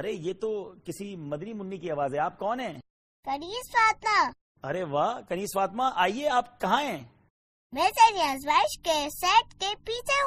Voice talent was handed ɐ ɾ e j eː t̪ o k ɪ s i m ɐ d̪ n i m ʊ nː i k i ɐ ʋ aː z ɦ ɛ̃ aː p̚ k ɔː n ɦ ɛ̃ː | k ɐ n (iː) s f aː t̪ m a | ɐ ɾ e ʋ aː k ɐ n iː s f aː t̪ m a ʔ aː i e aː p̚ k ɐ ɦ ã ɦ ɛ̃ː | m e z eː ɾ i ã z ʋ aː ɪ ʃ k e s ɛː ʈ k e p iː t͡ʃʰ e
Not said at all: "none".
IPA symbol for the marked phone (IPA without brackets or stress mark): iː